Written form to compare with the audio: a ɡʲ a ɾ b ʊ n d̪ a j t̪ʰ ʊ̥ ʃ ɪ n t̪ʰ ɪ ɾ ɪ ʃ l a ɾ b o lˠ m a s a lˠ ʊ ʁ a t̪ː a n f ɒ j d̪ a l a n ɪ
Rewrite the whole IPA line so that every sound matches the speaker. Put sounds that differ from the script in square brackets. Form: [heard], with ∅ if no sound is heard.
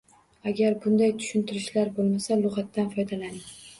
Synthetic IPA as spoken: a ɡʲ a ɾ b ʊ n d̪ a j t̪ʰ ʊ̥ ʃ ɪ n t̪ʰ ɪ ɾ ɪ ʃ l a ɾ b o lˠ m a s a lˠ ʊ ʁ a t̪ː a n f ɒ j d̪ a l a n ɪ

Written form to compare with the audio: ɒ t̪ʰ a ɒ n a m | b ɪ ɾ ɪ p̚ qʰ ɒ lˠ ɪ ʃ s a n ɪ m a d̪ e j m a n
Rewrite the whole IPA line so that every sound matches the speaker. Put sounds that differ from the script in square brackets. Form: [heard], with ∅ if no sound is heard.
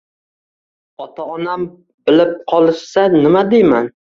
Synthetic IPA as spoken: ɒ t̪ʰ a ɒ n a m | b ɪ [l] ɪ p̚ qʰ ɒ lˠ ɪ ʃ s a n ɪ m a d̪ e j m a n

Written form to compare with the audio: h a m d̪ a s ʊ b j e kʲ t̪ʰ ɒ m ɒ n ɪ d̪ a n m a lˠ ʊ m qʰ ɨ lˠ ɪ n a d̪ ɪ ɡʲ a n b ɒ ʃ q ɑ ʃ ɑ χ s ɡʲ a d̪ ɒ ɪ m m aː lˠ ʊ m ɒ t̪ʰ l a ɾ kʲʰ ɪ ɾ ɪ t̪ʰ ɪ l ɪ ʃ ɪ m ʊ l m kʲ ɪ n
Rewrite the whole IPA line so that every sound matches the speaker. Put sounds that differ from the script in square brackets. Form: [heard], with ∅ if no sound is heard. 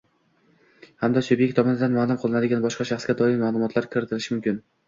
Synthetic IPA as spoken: h a m d̪ a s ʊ b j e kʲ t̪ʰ ɒ m ɒ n ɪ d̪ a n m a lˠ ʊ m qʰ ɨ lˠ ɪ n a d̪ ɪ ɡʲ a n b ɒ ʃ q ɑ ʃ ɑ χ s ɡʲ a d̪ ɒ ɪ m m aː lˠ ʊ m ɒ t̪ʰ l a ɾ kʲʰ ɪ ɾ ɪ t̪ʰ ɪ l ɪ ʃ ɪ m ʊ [∅] m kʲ ɪ n

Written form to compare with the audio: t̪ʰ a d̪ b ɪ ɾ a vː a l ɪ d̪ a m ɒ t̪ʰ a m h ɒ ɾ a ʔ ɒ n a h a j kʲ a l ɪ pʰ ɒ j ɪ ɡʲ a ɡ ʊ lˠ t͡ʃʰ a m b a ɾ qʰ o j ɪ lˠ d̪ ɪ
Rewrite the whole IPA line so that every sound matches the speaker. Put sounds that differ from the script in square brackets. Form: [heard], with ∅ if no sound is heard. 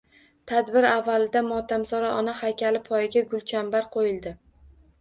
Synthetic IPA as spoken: t̪ʰ a d̪ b ɪ ɾ a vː a l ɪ d̪ a m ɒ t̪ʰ a m [s] ɒ ɾ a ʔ ɒ n a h a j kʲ a l ɪ pʰ ɒ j ɪ ɡʲ a ɡ ʊ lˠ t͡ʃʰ a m b a ɾ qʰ o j ɪ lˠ d̪ ɪ

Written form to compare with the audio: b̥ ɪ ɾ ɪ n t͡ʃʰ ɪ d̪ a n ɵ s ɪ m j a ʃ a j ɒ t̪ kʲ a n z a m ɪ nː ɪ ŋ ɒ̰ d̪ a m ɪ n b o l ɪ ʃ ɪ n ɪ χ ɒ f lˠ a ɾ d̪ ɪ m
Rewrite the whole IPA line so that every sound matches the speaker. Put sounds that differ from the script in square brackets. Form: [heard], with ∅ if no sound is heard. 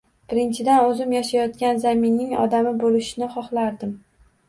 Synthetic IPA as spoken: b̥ ɪ ɾ ɪ n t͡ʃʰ ɪ d̪ a n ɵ [z] ɪ m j a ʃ a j ɒ t̪ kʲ a n z a m ɪ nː ɪ ŋ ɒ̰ d̪ a m ɪ [∅] b o l ɪ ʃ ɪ n ɪ χ ɒ [χ] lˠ a ɾ d̪ ɪ m

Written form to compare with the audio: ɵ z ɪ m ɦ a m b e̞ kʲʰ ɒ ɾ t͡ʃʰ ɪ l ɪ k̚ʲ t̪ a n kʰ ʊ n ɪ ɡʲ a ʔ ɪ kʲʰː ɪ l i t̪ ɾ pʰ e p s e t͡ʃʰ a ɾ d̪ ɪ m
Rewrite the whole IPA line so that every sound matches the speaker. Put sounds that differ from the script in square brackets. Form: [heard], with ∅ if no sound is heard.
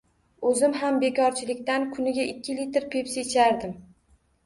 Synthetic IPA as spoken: ɵ z ɪ m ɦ a m b e̞ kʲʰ ɒ ɾ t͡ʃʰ ɪ l ɪ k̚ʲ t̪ a n kʰ ʊ n ɪ ɡʲ a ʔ ɪ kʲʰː ɪ l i t̪ ɾ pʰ e p s e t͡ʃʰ a ɾ d̪ ɪ m

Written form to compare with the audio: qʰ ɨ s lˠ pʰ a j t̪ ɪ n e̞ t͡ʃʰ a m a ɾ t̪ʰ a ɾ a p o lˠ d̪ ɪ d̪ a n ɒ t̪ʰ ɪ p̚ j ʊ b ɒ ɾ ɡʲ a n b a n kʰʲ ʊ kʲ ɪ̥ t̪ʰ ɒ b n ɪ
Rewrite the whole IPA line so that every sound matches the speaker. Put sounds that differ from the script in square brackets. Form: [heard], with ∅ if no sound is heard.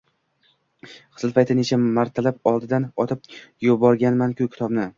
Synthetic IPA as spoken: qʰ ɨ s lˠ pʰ a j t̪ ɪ n e̞ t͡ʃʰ a m a ɾ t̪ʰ a [l] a p [ɒ] lˠ d̪ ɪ d̪ a n ɒ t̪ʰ ɪ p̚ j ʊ b ɒ ɾ ɡʲ a n [m] a n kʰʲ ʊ kʲ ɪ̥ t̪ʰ ɒ b n ɪ

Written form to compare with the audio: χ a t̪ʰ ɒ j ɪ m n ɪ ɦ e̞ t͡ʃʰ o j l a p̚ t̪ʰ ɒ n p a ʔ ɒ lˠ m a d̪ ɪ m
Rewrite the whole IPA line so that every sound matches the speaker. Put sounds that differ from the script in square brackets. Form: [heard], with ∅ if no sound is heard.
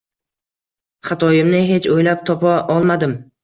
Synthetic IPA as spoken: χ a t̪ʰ ɒ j ɪ m n ɪ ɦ e̞ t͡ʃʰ o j l a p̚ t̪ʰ ɒ [∅] p a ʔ ɒ lˠ m a d̪ ɪ m

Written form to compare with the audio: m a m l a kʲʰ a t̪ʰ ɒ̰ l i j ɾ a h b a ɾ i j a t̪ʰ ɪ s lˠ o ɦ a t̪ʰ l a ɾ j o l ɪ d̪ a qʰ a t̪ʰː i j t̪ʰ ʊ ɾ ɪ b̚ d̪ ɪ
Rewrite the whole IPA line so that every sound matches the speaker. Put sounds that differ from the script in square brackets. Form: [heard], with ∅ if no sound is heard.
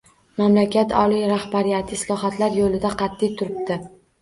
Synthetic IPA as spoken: m a m l a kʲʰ a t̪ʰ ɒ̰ l i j ɾ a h b a ɾ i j a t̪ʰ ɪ s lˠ [ɒ] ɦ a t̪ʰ l a ɾ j o l ɪ d̪ a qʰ [ɑ] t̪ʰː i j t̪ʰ ʊ ɾ ɪ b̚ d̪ ɪ

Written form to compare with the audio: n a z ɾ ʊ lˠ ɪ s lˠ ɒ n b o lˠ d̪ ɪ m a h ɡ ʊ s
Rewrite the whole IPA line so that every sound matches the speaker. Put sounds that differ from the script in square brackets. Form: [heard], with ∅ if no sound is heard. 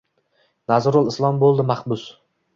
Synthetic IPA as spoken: n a z ɾ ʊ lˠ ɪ s lˠ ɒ [m] b o lˠ d̪ ɪ m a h [b] ʊ s

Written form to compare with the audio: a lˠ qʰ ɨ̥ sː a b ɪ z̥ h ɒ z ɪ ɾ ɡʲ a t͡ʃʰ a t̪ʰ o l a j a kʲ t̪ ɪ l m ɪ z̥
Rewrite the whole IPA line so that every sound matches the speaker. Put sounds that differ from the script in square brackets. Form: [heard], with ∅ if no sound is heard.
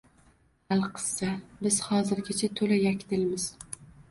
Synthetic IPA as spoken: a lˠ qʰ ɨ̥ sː a b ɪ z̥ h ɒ z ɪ ɾ ɡʲ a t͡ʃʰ a t̪ʰ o l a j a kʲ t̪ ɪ l m ɪ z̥

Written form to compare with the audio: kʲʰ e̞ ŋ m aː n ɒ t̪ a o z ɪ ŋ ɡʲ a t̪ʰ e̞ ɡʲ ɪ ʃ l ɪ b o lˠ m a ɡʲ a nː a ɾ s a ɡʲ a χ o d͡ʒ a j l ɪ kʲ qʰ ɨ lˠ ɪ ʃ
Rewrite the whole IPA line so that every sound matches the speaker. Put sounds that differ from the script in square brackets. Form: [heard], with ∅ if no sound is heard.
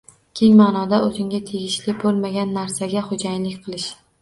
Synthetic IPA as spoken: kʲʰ e̞ ŋ m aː n ɒ [d̪] a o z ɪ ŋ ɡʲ a t̪ʰ e̞ ɡʲ ɪ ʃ l ɪ b o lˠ m a ɡʲ a nː a ɾ s a ɡʲ a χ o d͡ʒ a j l ɪ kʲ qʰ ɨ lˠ ɪ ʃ

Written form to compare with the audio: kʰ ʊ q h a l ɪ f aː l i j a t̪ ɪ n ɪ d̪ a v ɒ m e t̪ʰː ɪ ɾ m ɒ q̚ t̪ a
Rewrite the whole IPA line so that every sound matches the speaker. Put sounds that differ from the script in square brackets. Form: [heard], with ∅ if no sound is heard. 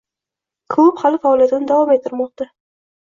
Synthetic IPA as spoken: kʰ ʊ [p] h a l ɪ f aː l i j a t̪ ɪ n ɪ d̪ a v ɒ m e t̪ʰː ɪ ɾ m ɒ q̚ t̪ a

